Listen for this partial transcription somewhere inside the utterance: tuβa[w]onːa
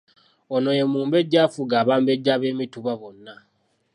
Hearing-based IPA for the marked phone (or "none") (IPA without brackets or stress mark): β